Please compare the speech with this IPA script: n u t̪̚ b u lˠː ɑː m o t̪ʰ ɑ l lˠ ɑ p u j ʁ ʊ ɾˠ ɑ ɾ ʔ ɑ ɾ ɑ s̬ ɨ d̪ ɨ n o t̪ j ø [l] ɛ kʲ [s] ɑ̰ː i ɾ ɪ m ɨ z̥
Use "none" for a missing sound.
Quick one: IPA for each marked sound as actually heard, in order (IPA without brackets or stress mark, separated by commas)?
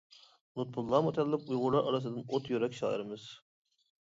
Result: ɾ, ʃ